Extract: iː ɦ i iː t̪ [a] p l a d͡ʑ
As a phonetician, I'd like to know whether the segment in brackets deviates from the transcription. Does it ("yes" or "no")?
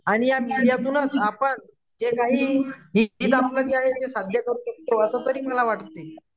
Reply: no